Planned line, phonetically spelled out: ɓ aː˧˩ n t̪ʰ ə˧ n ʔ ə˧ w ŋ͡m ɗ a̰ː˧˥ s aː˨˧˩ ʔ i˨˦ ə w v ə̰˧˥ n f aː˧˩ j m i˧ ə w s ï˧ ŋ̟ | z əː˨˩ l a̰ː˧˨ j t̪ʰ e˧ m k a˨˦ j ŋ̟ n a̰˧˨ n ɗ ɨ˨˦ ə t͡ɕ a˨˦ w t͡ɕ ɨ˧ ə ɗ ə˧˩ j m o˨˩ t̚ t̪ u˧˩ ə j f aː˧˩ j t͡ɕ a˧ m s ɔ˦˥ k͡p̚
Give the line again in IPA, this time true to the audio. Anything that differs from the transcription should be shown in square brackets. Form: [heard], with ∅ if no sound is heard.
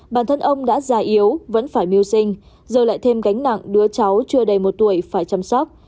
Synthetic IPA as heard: ɓ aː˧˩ n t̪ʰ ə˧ n ʔ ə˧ w ŋ͡m ɗ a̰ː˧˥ [z] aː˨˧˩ ʔ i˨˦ ə w v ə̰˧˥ n f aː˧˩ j m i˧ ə w s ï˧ ŋ̟ | z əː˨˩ l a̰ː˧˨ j t̪ʰ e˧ m k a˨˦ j ŋ̟ n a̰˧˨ [ŋ] ɗ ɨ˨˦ ə t͡ɕ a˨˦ w t͡ɕ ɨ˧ ə ɗ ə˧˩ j m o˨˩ t̚ t̪ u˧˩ ə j f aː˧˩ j t͡ɕ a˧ m s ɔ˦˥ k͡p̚